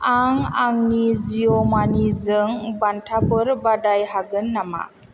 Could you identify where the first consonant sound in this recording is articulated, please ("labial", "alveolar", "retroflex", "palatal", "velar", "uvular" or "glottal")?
velar